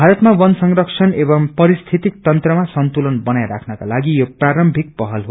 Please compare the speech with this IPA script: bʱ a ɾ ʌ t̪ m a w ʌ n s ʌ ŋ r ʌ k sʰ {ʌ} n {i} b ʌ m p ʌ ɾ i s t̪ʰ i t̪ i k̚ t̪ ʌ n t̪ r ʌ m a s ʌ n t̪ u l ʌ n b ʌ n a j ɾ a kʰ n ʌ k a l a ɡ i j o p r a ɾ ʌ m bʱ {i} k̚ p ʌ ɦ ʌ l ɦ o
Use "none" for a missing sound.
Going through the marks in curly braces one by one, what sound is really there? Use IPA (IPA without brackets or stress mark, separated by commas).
ʌ, e, i